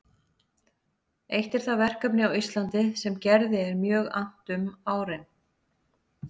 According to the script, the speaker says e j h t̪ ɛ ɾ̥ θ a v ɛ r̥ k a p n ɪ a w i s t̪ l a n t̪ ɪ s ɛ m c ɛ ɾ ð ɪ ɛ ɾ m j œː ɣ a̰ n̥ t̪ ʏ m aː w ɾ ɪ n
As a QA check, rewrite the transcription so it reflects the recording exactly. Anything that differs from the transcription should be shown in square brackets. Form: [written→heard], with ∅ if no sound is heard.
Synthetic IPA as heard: e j h t̪ ɛ ɾ̥ θ a v ɛ r̥ k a p n ɪ a w i s t̪ l a n t̪ ɪ s ɛ m c ɛ ɾ ð ɪ ɛ ɾ m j œː ɣ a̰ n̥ t̪ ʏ m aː w ɾ ɪ n